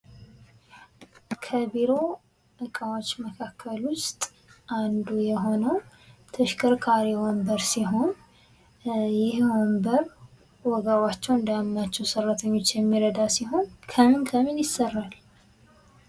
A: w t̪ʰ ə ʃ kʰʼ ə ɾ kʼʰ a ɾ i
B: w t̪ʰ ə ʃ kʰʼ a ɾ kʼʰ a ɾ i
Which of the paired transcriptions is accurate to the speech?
A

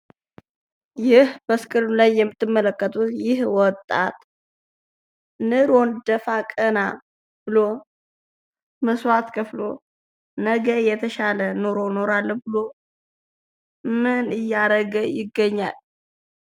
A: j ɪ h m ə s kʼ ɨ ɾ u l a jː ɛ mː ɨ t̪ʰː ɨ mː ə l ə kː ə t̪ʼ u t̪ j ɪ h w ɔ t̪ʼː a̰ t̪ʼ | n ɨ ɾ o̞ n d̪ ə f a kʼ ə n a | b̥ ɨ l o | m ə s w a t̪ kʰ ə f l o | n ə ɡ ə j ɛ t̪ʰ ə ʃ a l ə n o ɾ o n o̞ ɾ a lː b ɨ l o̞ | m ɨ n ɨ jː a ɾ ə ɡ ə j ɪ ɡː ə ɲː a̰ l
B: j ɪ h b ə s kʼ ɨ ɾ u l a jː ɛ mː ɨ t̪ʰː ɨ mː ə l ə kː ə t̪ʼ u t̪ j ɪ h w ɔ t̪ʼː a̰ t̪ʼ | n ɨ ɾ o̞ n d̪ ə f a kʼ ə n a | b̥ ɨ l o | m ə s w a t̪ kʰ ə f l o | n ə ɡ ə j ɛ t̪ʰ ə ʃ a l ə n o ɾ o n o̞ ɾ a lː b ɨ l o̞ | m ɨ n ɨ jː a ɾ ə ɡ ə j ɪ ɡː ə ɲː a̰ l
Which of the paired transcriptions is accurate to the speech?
B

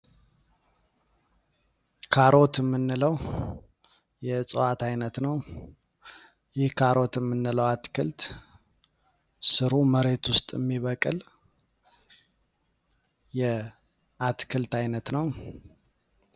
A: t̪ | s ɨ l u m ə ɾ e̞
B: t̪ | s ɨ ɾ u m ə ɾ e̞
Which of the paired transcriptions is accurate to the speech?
B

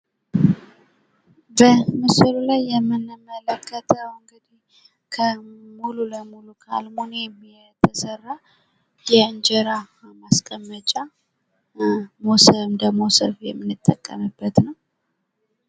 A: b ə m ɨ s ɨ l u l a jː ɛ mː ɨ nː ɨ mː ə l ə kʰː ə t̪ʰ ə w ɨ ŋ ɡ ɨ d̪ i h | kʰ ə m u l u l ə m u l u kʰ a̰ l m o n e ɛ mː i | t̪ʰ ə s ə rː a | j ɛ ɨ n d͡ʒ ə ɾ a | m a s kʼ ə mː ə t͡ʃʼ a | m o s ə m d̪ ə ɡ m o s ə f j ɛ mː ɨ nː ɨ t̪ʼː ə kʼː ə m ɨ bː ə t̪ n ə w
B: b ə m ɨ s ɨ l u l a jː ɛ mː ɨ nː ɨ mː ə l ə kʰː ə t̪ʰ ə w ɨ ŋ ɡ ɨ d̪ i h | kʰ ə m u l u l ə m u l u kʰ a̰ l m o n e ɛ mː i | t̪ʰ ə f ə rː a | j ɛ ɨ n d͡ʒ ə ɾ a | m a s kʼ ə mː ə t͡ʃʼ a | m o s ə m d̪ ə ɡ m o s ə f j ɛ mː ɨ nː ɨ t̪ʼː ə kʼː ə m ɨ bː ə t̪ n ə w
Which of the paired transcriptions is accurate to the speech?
A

